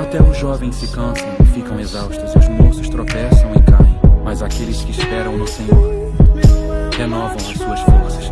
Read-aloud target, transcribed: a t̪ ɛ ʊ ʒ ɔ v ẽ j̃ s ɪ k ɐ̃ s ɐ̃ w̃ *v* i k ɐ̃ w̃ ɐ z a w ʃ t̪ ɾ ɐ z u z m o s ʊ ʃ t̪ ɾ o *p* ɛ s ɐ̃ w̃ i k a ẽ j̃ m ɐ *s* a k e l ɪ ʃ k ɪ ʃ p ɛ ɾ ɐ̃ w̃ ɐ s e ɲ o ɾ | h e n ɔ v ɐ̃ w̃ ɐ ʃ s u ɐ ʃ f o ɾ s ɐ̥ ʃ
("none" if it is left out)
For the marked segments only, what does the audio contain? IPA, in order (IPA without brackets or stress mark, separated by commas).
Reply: f, p, z